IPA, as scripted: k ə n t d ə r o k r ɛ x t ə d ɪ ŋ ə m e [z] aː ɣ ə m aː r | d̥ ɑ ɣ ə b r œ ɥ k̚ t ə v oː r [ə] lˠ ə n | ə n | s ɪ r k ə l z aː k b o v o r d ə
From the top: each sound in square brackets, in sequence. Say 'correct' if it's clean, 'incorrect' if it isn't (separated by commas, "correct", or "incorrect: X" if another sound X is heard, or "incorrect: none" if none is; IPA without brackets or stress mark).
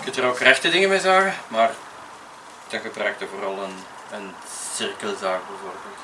correct, incorrect: ɑ